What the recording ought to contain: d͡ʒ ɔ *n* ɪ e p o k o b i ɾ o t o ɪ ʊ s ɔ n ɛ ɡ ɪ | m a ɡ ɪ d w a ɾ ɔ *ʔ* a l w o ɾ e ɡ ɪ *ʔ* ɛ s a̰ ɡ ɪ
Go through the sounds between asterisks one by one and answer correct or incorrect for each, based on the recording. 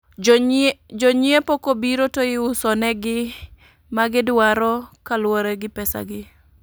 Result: incorrect, incorrect, incorrect

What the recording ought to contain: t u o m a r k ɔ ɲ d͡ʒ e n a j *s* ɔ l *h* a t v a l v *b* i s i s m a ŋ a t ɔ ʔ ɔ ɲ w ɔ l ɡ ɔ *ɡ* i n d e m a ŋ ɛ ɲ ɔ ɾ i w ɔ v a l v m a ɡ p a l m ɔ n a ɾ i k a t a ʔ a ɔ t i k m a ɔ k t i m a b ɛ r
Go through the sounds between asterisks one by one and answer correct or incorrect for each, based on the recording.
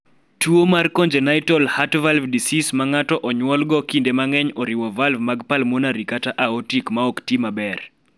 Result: incorrect, correct, incorrect, incorrect

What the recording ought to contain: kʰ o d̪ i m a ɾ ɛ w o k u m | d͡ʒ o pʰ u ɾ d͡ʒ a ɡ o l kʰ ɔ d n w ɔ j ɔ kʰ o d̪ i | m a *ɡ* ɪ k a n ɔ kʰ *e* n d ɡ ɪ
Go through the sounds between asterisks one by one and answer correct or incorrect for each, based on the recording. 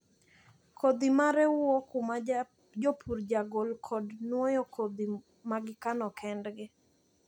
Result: correct, incorrect

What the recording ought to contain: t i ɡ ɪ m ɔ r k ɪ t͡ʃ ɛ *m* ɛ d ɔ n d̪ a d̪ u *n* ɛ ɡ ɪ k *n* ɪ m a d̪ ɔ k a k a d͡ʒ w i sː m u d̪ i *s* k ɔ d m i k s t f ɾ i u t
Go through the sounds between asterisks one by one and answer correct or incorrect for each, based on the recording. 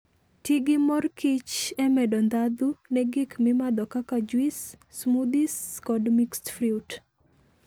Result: correct, correct, incorrect, correct

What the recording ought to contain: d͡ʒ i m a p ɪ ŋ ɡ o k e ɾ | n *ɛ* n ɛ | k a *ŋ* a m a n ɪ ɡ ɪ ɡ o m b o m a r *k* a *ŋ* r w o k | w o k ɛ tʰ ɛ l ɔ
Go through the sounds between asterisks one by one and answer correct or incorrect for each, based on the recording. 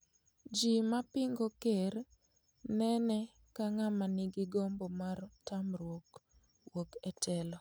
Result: correct, correct, incorrect, incorrect

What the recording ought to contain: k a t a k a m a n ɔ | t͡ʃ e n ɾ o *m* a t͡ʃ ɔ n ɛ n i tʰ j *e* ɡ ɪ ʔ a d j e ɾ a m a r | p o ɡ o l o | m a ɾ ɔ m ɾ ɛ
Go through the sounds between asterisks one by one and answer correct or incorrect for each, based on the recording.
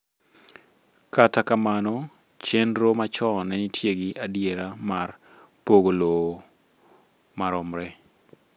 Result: correct, correct

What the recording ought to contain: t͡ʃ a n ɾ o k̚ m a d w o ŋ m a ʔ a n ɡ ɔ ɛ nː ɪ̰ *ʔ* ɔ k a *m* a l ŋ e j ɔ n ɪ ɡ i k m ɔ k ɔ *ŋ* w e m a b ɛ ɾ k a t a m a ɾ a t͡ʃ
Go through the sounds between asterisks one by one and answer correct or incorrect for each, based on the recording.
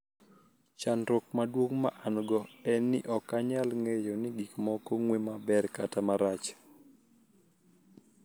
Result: correct, incorrect, correct

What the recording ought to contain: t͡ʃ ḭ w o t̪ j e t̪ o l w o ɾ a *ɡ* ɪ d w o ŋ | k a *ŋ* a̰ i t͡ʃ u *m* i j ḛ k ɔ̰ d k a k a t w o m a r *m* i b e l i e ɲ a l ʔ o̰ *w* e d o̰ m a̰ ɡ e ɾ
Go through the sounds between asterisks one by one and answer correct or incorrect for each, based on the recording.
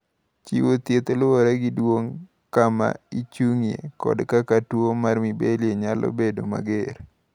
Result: correct, incorrect, incorrect, correct, incorrect

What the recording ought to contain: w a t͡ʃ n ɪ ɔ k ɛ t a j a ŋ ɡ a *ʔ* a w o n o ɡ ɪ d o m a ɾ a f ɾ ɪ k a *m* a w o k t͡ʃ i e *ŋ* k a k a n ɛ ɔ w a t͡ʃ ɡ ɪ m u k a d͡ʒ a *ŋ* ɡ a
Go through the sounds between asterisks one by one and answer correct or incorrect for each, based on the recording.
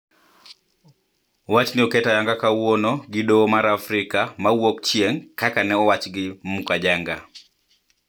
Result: incorrect, correct, correct, correct

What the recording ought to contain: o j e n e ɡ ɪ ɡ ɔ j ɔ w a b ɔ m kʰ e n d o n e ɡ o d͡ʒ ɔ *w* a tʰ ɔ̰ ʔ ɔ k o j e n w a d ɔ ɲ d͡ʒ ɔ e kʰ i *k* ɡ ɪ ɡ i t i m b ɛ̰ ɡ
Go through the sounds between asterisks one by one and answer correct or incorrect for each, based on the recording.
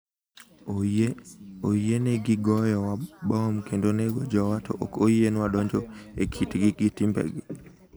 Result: correct, incorrect

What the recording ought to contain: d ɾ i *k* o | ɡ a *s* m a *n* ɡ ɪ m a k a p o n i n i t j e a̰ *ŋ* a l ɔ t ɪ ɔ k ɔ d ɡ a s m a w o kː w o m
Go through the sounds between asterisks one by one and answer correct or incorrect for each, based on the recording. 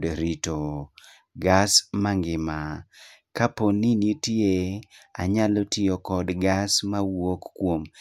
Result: incorrect, correct, incorrect, incorrect

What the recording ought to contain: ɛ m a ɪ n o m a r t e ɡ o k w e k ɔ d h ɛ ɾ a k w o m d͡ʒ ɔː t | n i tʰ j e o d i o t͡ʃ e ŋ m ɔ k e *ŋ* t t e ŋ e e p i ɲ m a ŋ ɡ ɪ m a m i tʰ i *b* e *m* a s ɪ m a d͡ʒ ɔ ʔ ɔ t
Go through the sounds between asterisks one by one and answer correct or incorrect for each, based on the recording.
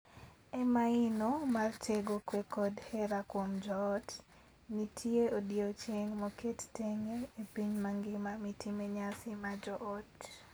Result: incorrect, incorrect, incorrect

